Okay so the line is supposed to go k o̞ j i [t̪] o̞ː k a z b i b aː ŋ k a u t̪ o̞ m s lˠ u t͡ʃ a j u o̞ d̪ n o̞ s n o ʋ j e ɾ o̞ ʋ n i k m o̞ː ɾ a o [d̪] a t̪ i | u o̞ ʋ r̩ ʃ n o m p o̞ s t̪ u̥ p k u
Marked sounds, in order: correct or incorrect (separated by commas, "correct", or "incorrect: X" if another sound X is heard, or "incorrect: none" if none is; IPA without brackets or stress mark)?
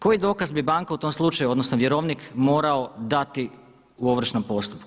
incorrect: d̪, correct